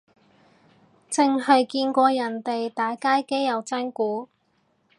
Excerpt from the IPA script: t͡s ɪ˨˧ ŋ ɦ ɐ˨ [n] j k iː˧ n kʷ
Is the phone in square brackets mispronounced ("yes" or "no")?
yes